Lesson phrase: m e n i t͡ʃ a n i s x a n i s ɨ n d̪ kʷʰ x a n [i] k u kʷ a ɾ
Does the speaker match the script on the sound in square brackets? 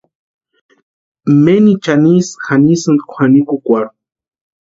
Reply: yes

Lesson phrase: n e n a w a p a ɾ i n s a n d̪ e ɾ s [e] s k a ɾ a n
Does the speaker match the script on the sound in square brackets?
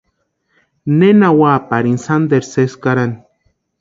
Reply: yes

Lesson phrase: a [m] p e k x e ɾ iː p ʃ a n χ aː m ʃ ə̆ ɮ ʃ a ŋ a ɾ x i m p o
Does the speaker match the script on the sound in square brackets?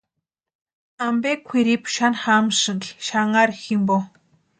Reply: yes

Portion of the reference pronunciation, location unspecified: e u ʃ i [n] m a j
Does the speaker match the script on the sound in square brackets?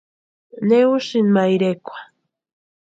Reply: yes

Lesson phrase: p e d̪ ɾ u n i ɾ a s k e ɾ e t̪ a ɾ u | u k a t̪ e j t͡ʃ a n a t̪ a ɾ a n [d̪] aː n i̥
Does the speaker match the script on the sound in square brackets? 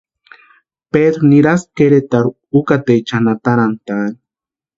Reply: no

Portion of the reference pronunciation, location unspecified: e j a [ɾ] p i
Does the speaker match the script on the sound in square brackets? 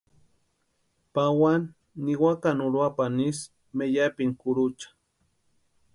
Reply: no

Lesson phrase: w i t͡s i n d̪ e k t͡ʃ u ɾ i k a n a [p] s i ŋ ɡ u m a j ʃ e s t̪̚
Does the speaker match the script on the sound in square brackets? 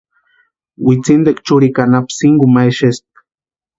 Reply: yes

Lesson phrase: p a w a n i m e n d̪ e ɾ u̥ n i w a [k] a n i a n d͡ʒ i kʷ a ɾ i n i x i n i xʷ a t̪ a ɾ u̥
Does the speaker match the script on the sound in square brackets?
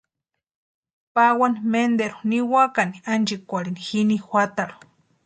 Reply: yes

